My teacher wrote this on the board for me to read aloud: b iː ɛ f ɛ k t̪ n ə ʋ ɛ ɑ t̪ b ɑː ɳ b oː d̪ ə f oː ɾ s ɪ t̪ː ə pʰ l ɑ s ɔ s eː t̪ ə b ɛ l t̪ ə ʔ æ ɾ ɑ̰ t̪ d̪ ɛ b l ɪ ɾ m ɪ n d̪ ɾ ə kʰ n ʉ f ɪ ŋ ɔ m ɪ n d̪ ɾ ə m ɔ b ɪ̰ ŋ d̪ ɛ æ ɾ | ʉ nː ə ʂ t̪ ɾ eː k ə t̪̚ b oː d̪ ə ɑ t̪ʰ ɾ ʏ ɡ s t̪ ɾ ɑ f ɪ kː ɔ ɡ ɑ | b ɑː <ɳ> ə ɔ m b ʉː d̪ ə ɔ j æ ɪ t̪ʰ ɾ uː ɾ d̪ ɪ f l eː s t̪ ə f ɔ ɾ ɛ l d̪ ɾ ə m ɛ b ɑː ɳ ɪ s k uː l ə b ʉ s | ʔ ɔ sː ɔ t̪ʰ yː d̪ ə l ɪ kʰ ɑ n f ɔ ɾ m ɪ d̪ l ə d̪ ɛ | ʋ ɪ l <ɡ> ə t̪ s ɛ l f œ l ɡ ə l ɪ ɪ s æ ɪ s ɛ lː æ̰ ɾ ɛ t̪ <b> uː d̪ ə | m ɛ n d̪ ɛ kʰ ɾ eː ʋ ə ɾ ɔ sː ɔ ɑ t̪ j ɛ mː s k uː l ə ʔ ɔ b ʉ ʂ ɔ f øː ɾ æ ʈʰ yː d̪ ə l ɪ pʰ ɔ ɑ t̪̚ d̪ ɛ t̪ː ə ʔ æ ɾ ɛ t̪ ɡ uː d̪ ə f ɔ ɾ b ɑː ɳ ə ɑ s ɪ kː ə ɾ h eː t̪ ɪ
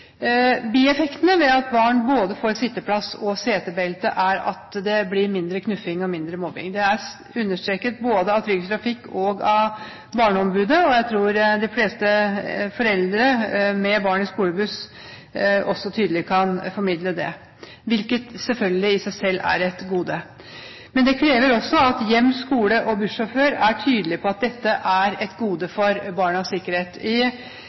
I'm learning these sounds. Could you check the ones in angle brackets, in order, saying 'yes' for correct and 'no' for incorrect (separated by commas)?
yes, no, no